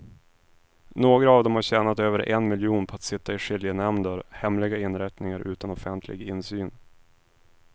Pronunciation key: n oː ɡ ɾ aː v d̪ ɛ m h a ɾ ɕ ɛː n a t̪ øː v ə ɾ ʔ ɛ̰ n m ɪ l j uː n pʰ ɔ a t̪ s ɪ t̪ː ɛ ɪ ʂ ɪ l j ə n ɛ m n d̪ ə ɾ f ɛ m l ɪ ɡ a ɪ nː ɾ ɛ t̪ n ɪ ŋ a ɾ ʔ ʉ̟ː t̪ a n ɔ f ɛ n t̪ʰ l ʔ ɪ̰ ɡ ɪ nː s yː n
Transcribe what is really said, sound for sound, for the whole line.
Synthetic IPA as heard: n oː ɡ ɾ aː v d̪ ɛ m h a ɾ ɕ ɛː n a t̪ øː v ə ɾ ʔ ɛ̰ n m ɪ l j uː n pʰ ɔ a t̪ s ɪ t̪ː a ɪ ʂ ɪ l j ə n ɛ m n d̪ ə ɾ h ɛ m l ɪ ɡ a ɪ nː ɾ ɛ t̪ n ɪ ŋ a ɾ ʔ ʉ̟ː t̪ a n ɔ f ɛ n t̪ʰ l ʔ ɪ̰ ɡ ɪ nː s yː n